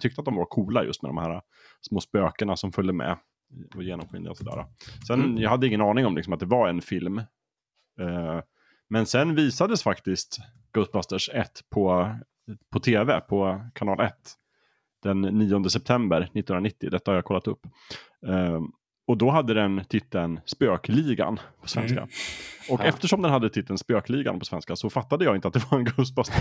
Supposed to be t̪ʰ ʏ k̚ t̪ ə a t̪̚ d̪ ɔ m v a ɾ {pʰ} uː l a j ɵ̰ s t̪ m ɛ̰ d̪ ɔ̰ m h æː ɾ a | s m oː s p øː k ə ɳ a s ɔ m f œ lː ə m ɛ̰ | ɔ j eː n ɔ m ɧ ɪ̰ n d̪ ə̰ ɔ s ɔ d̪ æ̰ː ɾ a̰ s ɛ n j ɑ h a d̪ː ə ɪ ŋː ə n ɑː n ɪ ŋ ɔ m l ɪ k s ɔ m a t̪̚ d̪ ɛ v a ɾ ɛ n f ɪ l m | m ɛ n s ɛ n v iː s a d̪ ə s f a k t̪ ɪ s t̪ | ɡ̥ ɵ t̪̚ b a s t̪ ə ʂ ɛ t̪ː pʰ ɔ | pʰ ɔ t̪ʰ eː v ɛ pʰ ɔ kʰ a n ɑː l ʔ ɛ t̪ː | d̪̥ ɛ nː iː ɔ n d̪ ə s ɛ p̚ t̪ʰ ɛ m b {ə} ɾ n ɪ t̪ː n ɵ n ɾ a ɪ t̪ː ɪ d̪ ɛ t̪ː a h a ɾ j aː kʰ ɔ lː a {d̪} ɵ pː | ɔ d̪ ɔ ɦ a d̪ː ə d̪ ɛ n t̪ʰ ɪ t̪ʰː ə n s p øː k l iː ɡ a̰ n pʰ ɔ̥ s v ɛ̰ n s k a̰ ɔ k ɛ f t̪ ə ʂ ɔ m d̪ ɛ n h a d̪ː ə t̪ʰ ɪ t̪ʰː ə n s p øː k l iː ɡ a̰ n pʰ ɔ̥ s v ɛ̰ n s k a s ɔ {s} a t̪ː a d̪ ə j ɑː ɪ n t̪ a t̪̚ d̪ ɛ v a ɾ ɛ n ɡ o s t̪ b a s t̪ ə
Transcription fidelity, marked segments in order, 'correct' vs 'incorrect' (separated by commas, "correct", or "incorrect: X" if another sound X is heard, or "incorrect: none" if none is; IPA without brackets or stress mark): incorrect: kʰ, correct, incorrect: t̪, incorrect: f